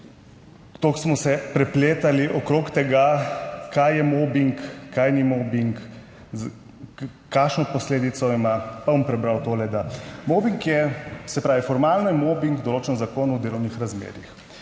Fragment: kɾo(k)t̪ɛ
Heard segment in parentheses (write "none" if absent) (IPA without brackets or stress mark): k